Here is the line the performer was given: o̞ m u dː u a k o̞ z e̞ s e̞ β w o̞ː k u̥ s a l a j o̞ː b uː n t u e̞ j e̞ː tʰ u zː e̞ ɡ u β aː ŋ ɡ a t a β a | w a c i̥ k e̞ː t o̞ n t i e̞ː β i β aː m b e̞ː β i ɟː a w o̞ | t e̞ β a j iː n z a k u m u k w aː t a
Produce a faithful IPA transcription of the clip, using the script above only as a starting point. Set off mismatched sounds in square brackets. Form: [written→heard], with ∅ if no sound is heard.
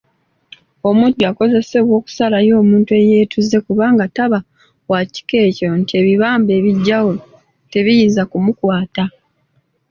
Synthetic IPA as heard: o̞ m u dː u a k o̞ z e̞ s e̞ β w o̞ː k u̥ s a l a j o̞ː [b→m] uː n t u e̞ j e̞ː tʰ u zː e̞ [ɡ→k] u β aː ŋ ɡ a t a β a | w a c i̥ k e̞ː [t→c] o̞ n t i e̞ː β i β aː m b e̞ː β i ɟː a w o̞ | t e̞ β [a→i] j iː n z a k u m u k w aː t a